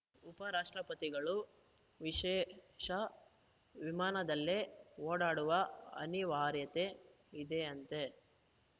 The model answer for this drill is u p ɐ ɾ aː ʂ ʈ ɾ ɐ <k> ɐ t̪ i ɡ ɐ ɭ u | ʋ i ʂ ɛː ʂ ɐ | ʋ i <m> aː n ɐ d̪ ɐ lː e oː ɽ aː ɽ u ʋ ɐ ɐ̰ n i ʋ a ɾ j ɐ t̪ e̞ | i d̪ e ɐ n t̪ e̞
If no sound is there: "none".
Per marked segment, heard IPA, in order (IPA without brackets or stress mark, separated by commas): p, m